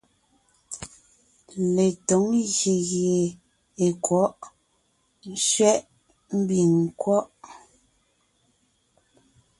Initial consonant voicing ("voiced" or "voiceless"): voiced